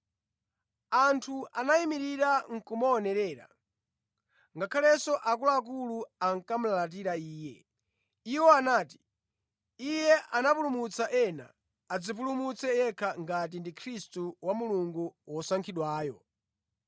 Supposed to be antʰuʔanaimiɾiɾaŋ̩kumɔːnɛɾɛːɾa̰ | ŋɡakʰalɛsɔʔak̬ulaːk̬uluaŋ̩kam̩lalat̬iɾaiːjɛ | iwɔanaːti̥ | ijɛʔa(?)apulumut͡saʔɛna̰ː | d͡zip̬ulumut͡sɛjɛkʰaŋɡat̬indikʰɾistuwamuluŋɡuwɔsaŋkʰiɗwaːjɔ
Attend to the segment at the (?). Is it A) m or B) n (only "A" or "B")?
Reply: B